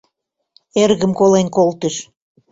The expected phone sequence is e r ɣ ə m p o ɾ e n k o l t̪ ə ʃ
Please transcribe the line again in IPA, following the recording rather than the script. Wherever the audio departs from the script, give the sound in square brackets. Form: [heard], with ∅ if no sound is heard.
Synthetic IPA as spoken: e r ɣ ə m [k] o [l] e n k o l t̪ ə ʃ